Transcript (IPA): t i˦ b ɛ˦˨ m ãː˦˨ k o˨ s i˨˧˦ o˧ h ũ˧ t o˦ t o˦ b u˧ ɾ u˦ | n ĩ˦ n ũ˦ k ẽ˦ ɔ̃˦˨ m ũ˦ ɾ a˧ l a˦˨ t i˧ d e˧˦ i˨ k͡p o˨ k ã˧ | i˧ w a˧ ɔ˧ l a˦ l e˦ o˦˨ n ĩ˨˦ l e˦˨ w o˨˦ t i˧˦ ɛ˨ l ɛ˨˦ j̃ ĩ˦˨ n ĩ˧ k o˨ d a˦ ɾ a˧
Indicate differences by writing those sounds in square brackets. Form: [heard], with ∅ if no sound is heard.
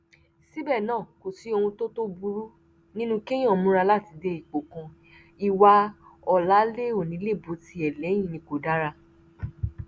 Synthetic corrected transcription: [s] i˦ b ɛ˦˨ [n] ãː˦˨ k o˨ s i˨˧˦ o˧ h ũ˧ t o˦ t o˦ b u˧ ɾ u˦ | n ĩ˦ n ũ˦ k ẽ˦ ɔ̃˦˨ m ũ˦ ɾ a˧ l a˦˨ t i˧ d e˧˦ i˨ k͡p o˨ k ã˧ | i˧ w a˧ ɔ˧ l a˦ l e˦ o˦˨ n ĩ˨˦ l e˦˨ [b] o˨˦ t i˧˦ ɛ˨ l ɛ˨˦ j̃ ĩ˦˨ n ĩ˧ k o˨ d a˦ ɾ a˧

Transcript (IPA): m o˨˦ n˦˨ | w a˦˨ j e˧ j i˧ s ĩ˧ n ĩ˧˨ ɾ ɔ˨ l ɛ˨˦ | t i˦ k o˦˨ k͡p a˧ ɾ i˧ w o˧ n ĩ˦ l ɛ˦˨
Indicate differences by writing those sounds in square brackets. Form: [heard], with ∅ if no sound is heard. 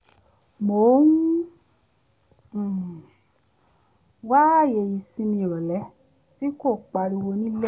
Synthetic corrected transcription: m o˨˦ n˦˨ | w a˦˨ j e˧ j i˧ s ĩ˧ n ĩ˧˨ ɾ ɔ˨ l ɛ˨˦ | t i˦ k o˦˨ k͡p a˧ ɾ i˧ w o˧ n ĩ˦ l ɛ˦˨

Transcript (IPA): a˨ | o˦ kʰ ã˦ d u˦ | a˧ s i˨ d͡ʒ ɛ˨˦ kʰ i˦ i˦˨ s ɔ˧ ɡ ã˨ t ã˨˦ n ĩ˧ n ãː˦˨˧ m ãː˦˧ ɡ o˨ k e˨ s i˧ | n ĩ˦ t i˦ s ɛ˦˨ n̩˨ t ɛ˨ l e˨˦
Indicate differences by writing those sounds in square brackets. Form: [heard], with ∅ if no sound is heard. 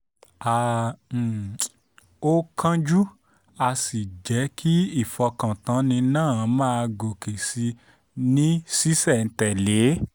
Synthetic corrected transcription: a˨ | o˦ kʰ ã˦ [d͡ʒ] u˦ | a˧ s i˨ d͡ʒ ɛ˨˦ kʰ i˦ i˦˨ [f] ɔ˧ [k] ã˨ t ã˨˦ n ĩ˧ n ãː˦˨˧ m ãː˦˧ ɡ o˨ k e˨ s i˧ | n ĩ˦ [s] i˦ s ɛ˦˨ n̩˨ t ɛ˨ l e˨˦

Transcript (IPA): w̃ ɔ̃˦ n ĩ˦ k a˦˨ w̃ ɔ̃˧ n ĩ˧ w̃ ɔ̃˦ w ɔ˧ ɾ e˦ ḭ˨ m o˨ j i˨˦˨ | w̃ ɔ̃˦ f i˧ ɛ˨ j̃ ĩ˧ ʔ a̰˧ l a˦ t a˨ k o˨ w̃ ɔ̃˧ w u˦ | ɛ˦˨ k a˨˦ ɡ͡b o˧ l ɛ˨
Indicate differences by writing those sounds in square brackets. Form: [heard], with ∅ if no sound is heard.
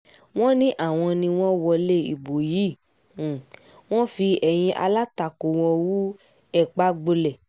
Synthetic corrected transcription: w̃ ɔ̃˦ n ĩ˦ [ʔ] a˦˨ w̃ ɔ̃˧ n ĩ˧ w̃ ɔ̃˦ w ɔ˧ [l] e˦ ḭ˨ [b] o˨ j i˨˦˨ | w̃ ɔ̃˦ f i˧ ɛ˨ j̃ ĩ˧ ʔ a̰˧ l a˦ t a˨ k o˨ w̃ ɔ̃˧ w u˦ | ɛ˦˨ [k͡p] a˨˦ ɡ͡b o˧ l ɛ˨

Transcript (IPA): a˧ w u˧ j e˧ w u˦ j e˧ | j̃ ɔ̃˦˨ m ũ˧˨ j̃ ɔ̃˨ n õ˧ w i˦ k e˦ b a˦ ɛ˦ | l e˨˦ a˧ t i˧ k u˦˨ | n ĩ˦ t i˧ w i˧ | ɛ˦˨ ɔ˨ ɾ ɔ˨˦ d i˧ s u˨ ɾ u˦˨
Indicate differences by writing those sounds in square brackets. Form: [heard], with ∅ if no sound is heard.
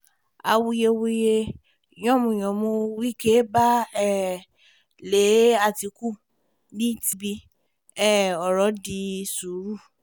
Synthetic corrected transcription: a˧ w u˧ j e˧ w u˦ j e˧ | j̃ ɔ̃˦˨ m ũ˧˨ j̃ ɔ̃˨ [m] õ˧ w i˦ k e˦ b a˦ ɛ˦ | l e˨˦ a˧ t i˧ k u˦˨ | n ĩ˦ t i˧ [b] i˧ | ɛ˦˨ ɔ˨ ɾ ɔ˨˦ d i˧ s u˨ ɾ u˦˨

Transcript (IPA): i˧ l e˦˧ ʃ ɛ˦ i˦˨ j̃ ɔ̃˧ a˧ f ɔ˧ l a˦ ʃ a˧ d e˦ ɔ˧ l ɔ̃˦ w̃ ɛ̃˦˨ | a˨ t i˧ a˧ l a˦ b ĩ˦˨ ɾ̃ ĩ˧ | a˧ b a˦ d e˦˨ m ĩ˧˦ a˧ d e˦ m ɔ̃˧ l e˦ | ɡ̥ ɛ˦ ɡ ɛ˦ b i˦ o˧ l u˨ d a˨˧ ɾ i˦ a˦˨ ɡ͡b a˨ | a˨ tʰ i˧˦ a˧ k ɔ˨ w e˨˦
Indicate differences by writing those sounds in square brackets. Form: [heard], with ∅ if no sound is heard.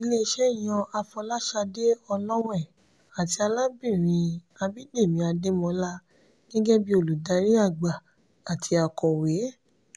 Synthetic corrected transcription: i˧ l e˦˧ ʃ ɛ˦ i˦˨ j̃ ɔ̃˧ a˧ f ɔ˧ l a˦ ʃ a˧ d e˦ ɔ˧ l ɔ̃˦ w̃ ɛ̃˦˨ | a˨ t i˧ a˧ l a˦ b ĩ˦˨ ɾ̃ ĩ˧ | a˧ b [i˦] d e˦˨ m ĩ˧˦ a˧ d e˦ m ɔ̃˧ l [a˦] | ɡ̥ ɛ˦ ɡ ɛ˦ b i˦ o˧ l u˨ d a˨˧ ɾ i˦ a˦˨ ɡ͡b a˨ | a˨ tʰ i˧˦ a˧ k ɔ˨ w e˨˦

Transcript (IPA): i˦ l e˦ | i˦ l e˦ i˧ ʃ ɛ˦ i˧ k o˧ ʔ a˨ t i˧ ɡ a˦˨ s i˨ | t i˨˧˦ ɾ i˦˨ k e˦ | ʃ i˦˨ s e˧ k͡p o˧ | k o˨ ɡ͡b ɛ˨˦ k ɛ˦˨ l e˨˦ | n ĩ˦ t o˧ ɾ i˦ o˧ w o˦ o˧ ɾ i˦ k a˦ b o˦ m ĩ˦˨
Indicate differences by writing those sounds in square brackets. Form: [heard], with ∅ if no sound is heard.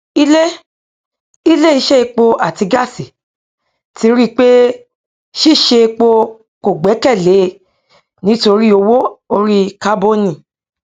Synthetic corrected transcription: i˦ l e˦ | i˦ l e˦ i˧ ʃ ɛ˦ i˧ [k͡p] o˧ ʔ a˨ t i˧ ɡ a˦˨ s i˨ | t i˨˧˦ ɾ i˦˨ [k͡p] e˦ | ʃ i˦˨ [ʃ] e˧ k͡p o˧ | k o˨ ɡ͡b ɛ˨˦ k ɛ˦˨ l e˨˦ | n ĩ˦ t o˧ ɾ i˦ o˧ w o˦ o˧ ɾ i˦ k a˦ b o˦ [n] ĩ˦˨

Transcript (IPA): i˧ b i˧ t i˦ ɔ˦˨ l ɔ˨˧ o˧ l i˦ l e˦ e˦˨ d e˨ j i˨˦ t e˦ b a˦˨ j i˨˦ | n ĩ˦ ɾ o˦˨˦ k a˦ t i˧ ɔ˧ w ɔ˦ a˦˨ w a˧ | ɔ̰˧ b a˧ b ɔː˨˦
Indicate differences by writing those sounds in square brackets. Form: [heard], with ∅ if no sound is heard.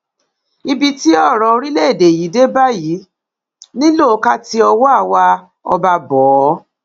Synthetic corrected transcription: i˧ b i˧ t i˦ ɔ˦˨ [ɾ] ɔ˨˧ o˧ [ɾ] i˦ l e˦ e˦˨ d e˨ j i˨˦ [d] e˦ b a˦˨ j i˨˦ | n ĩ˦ [l] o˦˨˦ k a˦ t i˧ ɔ˧ w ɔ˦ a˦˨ w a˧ | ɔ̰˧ b a˧ b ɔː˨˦

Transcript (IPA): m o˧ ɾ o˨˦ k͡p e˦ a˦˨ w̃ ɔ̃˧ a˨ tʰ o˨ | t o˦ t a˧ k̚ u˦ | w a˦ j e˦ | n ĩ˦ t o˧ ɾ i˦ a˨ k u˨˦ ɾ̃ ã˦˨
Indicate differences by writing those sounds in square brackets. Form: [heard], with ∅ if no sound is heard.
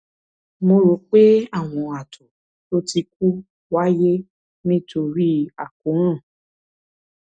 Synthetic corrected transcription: m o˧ ɾ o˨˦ k͡p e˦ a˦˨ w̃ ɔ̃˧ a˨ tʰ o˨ | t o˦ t [i˧] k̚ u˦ | w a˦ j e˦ | n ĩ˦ t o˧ ɾ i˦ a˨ k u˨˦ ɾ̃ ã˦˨

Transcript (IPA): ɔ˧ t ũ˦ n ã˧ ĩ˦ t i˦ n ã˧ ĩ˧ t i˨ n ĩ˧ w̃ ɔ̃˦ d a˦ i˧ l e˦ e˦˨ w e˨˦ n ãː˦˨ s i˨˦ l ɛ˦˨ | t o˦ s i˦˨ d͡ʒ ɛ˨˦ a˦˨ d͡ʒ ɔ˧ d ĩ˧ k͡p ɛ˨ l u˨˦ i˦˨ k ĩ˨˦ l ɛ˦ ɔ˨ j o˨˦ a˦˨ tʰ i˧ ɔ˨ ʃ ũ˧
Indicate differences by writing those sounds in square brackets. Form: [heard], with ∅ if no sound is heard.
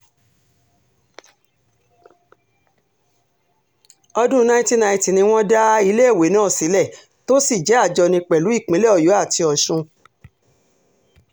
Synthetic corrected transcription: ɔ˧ [d] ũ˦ n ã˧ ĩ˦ t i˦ n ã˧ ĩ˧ t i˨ n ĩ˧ w̃ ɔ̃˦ d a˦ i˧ l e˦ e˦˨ w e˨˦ n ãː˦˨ s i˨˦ l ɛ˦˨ | t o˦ s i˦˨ d͡ʒ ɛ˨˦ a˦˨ d͡ʒ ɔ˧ [n] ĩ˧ k͡p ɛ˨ l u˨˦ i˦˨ [k͡p] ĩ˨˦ l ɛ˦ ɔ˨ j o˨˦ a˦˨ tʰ i˧ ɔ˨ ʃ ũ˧

